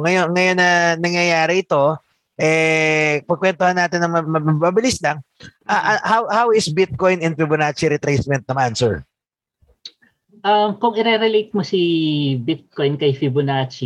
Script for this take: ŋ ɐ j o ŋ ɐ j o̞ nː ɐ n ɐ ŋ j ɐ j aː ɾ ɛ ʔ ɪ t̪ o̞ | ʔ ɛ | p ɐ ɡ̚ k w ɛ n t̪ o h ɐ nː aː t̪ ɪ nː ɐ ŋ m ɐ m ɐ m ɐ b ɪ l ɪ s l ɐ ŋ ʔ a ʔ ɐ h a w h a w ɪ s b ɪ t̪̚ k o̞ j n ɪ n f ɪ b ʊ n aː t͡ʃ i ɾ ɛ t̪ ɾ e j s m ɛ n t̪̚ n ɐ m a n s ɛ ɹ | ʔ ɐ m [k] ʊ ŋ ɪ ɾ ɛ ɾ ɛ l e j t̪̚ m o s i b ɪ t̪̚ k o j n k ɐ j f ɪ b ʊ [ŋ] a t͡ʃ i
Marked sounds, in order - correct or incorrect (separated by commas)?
correct, incorrect